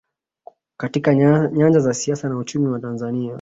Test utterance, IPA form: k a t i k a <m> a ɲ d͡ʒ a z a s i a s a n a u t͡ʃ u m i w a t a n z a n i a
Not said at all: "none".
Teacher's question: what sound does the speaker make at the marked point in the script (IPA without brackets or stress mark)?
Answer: ɲ